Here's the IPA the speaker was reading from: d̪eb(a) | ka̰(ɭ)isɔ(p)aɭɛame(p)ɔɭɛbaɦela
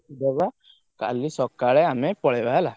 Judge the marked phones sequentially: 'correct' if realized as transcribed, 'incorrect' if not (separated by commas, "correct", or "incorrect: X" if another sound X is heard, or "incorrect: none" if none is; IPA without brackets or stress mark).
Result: correct, incorrect: l, incorrect: k, correct